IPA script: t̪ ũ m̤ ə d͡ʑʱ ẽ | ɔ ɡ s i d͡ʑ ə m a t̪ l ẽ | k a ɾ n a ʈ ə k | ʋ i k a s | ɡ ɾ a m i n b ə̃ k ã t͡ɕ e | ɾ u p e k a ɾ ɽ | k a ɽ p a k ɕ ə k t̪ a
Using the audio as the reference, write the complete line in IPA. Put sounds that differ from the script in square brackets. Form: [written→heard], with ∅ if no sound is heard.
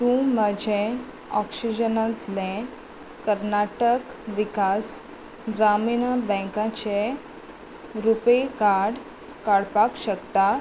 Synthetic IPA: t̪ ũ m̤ ə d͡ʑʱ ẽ | ɔ [ɡ→k] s i d͡ʑ ə [m→n] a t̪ l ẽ | k [a→ə] ɾ n a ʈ ə k | ʋ i k a s | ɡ ɾ a m i n b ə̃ k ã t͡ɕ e | ɾ u p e k a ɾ ɽ | k a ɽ p a k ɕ ə k t̪ a